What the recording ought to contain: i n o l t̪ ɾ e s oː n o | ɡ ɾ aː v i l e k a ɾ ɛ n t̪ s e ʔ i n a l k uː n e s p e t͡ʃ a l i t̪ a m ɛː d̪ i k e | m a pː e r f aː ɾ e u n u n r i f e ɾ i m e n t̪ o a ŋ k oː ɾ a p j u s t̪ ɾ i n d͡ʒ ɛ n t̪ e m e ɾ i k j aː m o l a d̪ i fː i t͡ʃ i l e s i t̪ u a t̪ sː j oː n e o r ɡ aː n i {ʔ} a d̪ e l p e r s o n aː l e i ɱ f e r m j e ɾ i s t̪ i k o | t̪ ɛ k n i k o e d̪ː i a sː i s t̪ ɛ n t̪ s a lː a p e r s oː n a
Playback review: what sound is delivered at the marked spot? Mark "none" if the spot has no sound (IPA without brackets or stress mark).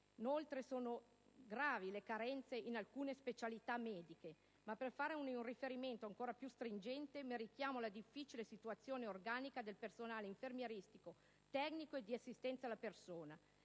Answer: k